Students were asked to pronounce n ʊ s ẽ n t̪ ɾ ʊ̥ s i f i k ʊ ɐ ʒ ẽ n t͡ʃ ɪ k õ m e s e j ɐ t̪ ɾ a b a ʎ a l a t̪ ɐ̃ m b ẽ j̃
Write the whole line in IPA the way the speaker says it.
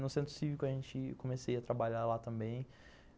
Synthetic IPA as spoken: n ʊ s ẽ n t̪ ɾ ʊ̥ s i v i k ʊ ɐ ʒ ẽ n t͡ʃ ɪ k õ m e s e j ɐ t̪ ɾ a b a ʎ a l a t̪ ɐ̃ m b ẽ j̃